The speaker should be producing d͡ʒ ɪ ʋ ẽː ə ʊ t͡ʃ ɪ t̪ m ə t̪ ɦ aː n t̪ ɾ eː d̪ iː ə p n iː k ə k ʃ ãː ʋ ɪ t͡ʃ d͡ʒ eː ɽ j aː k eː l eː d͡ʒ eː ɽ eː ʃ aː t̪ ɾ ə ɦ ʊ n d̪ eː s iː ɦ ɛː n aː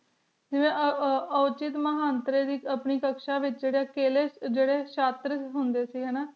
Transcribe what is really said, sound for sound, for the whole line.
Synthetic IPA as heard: d͡ʒ ɪ ʋ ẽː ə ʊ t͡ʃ ɪ t̪ m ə ɦ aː n t̪ ɾ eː d̪ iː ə p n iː k ə k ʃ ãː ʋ ɪ t͡ʃ d͡ʒ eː ɽ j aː k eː l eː d͡ʒ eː ɽ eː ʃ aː t̪ ɾ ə ɦ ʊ n d̪ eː s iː ɦ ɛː n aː